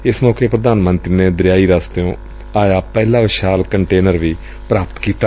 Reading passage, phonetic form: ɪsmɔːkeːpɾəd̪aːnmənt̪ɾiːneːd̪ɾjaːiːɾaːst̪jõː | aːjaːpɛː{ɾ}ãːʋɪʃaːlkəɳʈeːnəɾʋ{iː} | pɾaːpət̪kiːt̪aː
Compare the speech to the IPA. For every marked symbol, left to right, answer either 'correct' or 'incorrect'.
incorrect: l, correct

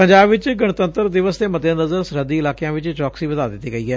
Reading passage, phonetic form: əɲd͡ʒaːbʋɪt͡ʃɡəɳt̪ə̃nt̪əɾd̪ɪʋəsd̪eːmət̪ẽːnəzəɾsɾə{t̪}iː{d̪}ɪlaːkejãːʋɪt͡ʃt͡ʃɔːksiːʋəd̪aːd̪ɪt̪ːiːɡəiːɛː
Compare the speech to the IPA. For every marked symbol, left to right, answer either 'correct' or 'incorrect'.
incorrect: d̪, incorrect: none

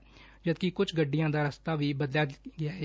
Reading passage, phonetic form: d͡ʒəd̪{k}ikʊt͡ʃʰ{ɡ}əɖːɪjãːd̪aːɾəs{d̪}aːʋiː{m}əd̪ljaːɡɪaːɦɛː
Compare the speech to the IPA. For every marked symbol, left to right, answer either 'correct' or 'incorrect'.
correct, correct, incorrect: t̪, incorrect: b

